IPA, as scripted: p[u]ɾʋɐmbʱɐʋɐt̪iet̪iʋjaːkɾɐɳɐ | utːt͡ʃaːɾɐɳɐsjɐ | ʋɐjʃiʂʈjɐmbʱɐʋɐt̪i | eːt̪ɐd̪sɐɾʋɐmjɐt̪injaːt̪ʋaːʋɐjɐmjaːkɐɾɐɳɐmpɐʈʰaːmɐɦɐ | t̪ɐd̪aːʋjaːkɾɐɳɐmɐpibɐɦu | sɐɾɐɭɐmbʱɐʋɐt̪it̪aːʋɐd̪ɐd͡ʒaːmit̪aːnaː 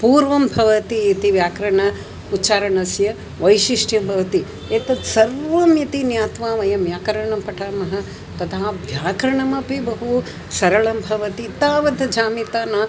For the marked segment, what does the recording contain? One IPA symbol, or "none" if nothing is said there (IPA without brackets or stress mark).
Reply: uː